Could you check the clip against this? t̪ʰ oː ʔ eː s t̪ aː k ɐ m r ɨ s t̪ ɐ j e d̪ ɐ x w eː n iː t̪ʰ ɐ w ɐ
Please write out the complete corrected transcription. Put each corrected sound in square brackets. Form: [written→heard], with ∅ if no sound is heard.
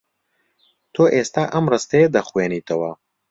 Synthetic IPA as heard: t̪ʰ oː ʔ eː s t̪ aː [k→ʔ] ɐ m r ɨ s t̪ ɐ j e d̪ ɐ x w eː n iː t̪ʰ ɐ w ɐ